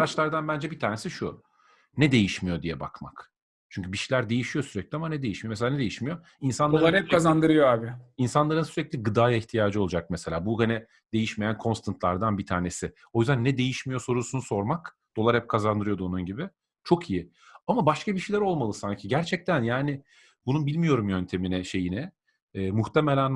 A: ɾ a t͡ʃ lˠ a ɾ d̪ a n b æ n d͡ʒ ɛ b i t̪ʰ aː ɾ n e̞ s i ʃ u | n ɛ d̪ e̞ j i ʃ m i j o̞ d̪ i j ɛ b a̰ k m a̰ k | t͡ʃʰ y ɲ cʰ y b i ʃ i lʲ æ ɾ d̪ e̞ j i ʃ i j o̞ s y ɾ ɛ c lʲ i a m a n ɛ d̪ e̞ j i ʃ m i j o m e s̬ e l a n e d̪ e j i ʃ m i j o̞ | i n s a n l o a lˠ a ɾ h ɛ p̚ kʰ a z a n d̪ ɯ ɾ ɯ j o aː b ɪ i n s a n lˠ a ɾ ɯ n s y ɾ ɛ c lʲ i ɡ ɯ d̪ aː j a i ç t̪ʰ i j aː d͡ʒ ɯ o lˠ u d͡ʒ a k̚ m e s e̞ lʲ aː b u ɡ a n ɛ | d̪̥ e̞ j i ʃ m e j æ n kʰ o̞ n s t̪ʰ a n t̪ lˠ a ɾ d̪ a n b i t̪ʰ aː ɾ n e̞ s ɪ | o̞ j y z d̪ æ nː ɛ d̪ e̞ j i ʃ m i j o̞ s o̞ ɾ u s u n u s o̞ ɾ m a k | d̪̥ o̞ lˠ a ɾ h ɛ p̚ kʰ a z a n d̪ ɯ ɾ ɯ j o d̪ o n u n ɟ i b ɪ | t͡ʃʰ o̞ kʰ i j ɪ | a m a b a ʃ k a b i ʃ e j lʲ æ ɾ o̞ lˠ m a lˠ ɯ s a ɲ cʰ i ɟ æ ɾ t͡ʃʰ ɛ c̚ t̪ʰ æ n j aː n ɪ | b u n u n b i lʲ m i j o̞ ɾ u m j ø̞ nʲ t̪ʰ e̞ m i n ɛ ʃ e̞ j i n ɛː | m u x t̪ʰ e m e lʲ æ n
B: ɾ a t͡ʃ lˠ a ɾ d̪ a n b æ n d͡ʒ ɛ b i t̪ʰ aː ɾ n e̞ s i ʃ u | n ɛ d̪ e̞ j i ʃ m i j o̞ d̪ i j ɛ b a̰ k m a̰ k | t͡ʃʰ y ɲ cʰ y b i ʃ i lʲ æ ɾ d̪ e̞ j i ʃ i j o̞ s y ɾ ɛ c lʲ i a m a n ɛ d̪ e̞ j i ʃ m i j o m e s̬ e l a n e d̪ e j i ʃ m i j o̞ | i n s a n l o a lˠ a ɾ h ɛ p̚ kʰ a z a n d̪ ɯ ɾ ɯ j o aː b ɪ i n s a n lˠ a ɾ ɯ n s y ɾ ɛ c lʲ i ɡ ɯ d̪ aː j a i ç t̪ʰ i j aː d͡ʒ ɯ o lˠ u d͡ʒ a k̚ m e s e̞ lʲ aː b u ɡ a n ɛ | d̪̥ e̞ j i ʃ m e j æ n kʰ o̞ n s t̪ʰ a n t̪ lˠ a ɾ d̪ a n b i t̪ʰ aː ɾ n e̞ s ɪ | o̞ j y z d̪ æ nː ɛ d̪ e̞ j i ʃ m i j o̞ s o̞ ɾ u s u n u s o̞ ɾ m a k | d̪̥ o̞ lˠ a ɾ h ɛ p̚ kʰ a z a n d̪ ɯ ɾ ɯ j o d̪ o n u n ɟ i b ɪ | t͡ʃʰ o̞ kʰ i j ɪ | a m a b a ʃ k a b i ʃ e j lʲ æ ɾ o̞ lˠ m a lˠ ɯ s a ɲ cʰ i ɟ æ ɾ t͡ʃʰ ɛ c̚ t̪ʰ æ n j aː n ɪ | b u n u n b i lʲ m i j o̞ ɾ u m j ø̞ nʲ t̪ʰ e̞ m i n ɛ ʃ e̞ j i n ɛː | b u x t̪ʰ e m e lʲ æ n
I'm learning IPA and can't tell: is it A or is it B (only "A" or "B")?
A